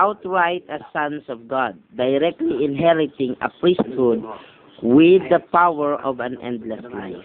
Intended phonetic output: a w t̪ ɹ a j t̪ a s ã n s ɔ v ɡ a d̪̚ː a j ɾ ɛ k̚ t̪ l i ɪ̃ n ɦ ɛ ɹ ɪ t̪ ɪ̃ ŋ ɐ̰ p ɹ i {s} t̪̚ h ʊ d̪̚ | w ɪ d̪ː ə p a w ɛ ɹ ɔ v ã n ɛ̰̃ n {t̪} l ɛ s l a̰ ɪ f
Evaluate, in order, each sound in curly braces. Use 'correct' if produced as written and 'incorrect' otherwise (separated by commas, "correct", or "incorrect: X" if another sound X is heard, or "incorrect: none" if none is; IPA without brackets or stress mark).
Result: correct, incorrect: d̪